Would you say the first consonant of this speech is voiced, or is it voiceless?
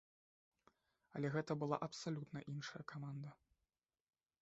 voiced